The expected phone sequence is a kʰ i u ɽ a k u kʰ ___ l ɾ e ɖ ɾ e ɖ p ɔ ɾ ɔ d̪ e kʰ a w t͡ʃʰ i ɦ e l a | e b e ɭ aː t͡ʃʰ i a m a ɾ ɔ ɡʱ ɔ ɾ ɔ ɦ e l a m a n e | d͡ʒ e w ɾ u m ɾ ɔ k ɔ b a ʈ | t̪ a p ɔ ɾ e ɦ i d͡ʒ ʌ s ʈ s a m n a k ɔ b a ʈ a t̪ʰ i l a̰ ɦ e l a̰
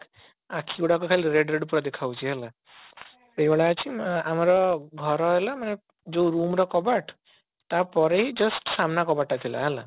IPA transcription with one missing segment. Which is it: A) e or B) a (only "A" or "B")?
B